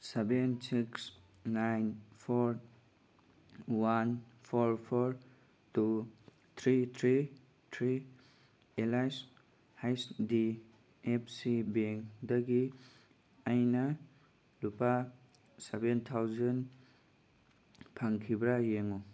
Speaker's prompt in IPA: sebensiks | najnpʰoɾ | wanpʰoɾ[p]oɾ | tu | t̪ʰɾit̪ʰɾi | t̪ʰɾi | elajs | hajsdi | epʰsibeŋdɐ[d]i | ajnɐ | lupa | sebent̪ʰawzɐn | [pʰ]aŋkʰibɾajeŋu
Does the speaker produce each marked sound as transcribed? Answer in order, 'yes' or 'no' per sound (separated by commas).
no, no, yes